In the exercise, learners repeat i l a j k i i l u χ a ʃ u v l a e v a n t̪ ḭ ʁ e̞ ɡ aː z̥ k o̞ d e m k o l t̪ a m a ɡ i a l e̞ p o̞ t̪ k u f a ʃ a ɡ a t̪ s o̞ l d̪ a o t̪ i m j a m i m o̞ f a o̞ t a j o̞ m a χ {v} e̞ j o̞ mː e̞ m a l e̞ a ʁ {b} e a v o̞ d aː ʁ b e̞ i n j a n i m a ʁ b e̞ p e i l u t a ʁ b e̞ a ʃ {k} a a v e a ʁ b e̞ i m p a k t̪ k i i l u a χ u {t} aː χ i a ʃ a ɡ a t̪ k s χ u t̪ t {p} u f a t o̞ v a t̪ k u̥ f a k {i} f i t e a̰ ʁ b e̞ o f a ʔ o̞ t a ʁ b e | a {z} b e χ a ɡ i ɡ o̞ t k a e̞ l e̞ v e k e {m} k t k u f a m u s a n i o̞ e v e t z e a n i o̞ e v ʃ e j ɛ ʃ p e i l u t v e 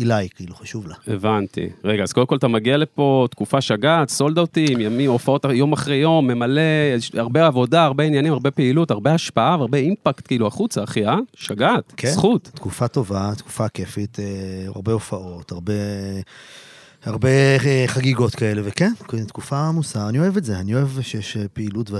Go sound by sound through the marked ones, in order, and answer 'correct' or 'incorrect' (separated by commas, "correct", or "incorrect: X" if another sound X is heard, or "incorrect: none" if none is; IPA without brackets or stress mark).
incorrect: ʁ, correct, incorrect: p, incorrect: t͡s, incorrect: k, incorrect: e, incorrect: ʁ, incorrect: n